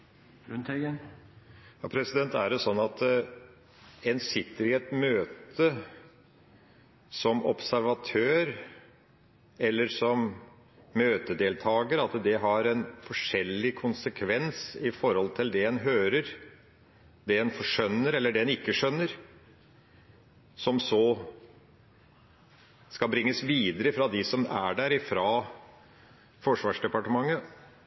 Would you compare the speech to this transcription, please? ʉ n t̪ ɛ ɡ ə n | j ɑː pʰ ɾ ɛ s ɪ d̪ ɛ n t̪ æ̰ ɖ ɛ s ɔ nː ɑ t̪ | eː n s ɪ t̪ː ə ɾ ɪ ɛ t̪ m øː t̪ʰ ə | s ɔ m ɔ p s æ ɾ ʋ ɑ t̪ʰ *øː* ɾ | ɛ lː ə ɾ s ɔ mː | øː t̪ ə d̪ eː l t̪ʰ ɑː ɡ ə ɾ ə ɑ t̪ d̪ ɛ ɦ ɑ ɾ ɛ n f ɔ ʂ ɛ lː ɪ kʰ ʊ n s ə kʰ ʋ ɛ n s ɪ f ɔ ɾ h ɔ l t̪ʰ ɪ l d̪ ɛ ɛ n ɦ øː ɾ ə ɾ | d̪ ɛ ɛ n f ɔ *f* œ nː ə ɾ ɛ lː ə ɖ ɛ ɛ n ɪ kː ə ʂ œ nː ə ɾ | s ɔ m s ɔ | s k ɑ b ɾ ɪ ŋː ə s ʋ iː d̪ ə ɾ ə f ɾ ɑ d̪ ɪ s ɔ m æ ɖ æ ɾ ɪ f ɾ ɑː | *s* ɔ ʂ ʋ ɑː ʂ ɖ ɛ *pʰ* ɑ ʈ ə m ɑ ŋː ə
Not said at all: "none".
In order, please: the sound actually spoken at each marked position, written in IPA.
øː, ʂ, f, p

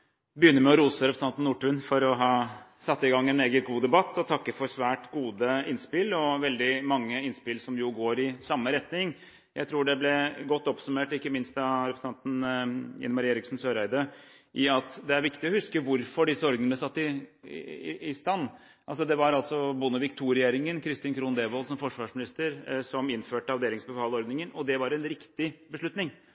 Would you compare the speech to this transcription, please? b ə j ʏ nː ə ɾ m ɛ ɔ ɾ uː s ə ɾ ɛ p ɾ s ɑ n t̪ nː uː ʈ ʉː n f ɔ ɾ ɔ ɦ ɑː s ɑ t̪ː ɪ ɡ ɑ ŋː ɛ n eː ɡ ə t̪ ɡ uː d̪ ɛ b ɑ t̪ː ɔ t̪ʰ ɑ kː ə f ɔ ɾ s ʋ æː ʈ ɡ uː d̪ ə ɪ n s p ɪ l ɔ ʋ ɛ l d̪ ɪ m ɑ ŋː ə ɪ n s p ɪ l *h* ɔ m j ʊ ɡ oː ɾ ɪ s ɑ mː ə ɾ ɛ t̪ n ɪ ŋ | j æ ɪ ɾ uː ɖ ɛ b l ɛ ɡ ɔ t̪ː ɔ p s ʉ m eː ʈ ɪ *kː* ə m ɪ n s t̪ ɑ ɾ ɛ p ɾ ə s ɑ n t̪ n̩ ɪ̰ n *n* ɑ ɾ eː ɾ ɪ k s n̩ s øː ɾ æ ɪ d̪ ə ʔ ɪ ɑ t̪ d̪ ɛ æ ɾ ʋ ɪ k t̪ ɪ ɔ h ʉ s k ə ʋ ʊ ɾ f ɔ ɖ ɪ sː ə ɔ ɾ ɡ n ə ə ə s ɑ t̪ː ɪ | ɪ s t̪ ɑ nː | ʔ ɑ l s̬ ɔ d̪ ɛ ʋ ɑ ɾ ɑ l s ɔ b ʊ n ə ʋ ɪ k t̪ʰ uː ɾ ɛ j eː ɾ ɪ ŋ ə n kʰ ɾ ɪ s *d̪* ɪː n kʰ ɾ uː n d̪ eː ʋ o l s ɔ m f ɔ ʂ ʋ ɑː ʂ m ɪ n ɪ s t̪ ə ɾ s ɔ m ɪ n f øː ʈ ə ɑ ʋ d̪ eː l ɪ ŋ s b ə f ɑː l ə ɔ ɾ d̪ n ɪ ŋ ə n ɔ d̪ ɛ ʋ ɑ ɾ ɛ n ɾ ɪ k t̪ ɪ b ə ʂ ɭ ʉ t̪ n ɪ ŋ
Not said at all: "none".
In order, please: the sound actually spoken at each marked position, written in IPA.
s, kː, m, t̪

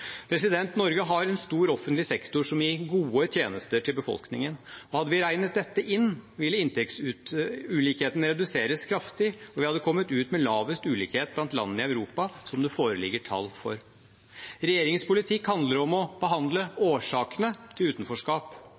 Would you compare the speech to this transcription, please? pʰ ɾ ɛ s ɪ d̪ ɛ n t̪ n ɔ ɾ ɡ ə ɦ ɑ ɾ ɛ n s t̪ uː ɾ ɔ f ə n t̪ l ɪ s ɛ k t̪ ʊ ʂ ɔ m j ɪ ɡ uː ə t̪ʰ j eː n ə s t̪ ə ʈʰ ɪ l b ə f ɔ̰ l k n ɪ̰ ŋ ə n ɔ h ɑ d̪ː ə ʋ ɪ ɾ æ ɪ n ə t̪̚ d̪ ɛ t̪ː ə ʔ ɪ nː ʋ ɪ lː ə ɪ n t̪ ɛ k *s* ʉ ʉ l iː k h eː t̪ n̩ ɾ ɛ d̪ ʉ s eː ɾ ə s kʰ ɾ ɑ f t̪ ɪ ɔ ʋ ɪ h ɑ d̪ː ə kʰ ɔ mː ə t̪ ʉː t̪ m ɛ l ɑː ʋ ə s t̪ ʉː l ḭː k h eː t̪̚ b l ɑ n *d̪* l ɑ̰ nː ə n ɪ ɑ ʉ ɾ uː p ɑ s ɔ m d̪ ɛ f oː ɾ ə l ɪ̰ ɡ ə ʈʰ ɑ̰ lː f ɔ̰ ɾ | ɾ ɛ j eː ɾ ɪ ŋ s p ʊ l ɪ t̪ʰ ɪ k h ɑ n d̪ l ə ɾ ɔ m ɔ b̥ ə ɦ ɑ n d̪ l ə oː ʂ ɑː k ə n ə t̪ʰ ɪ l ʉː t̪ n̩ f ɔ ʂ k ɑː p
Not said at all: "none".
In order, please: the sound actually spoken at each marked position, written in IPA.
s, t̪

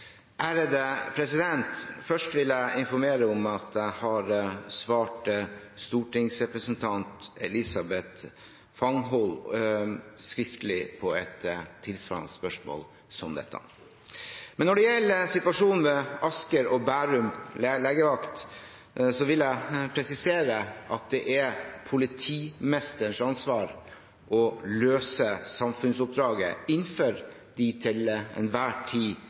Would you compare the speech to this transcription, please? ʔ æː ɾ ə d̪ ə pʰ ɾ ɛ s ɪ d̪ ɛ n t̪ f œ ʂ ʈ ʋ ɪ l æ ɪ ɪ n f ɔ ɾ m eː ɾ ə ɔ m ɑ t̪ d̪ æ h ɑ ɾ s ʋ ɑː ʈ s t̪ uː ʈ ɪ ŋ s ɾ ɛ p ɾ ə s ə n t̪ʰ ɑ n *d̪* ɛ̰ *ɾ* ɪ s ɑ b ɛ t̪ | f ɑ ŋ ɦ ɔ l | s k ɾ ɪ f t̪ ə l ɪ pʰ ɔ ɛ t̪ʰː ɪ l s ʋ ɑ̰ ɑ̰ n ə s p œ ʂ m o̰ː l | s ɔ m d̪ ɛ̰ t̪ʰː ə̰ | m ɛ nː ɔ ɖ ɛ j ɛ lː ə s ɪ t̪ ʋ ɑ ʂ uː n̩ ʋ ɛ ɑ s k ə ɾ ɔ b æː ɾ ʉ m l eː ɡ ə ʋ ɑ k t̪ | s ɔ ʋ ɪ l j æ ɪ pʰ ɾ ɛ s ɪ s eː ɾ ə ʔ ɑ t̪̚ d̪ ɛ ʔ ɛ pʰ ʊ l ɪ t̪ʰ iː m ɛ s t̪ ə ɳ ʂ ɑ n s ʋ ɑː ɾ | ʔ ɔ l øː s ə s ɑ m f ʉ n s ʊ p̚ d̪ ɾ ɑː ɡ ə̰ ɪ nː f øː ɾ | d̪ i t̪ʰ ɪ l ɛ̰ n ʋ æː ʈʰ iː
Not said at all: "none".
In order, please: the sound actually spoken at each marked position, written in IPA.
t̪, l

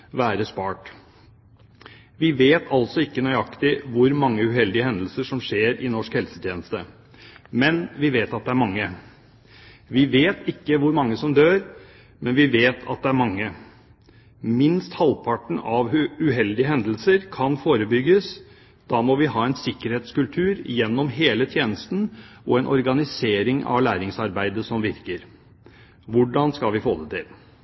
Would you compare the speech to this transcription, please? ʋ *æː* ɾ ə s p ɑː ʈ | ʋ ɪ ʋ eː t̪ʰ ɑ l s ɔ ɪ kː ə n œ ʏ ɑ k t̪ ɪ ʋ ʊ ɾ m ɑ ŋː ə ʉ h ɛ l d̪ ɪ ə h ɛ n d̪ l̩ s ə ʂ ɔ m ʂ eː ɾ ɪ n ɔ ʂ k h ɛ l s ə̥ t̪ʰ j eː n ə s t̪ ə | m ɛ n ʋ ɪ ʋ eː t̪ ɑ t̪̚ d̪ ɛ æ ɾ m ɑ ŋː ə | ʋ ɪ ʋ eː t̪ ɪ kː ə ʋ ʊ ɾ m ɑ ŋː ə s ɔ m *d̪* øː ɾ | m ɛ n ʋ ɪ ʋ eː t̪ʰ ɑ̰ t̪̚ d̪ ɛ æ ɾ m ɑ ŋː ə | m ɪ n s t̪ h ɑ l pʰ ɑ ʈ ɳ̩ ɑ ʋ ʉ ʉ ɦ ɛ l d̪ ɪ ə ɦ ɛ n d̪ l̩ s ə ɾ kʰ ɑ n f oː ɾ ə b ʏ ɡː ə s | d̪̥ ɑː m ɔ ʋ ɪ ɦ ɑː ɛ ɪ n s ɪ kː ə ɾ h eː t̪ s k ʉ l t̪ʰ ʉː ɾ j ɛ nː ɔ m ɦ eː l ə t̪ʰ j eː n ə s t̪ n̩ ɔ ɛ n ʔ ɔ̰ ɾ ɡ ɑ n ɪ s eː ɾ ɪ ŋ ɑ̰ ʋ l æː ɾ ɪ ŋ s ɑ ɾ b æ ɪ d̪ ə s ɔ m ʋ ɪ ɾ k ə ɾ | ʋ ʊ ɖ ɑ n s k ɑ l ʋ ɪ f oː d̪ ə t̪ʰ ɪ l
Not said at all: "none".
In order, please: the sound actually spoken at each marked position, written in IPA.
æː, d̪

